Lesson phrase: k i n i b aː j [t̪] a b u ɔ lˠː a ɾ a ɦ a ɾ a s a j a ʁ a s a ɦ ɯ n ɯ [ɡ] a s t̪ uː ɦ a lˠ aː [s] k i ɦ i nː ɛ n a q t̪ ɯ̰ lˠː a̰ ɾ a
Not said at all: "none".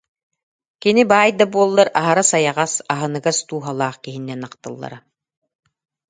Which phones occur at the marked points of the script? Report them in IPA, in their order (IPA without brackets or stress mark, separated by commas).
d̪, ɡ, χ